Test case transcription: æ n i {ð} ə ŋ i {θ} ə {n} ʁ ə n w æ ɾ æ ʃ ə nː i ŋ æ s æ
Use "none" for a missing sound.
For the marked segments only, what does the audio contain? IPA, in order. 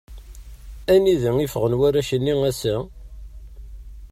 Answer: ð, f, none

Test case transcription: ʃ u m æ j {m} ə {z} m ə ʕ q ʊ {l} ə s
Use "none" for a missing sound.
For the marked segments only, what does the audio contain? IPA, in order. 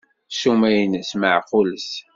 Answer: n, s, l

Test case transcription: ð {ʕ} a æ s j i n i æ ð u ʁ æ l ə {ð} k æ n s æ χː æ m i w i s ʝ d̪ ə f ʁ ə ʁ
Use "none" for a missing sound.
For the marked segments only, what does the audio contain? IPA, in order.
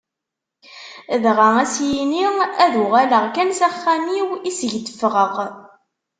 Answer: ʁ, ʁ

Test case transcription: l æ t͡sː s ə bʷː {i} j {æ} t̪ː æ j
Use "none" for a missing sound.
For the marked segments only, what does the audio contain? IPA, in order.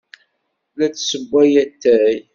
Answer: æ, æ

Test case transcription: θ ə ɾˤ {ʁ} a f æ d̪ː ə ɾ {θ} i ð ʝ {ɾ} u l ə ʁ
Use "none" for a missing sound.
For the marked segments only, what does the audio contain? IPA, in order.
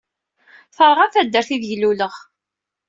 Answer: ʁ, θ, l

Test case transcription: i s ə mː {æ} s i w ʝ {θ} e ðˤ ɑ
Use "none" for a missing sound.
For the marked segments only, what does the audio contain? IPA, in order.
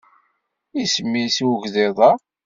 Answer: i, ð

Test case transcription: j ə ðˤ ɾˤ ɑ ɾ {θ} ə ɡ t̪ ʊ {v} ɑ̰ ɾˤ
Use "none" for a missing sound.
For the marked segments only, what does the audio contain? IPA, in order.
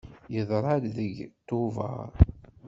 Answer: ð, v

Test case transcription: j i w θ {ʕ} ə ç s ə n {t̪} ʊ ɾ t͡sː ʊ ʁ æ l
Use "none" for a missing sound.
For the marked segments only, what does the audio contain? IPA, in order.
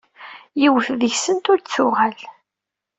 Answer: ð, t̪

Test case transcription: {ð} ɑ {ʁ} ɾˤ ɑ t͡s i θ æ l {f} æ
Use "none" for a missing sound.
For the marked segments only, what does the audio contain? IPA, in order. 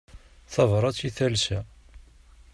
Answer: θ, v, s

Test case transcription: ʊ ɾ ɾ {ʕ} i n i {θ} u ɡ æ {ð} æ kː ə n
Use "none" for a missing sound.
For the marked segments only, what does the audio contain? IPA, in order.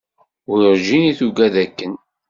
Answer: ʒ, θ, ð

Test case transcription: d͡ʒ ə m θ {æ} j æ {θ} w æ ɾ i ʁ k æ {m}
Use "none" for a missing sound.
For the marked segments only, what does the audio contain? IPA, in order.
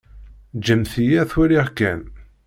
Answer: i, θ, n

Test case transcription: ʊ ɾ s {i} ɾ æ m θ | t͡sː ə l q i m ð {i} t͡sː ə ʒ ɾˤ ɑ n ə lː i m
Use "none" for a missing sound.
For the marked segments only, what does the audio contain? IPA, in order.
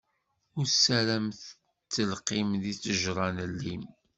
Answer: æ, i

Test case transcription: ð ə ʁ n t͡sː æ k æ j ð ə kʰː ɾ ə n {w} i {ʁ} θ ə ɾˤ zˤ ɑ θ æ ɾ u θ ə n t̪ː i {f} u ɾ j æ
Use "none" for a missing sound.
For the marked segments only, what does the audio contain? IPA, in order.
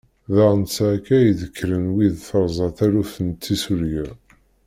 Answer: w, ð, s

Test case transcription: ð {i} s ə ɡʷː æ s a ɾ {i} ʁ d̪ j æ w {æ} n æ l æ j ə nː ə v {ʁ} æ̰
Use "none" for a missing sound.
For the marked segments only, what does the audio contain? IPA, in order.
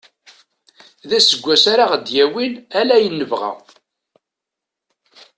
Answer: æ, a, i, ʁ

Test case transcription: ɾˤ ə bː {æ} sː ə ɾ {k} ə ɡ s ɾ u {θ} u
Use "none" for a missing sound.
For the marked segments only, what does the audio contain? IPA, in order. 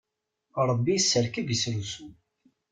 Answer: i, k, s

